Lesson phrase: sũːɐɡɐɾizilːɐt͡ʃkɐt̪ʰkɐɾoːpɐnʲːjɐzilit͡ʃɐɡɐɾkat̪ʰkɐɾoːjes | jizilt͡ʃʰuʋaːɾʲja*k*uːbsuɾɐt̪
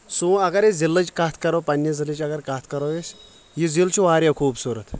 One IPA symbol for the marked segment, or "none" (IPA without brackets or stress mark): kʰ